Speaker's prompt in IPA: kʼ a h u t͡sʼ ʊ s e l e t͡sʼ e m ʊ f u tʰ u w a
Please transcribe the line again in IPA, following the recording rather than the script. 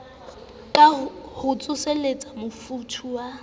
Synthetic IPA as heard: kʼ a h ʊ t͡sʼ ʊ s e l e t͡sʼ a m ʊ f u tʰ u w a